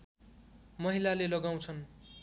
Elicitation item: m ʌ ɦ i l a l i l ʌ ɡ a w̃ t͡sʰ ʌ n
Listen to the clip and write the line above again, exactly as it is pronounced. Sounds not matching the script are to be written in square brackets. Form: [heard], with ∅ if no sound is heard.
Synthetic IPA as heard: m ʌ ɦ i l a l [e] l ʌ ɡ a w̃ t͡sʰ ʌ n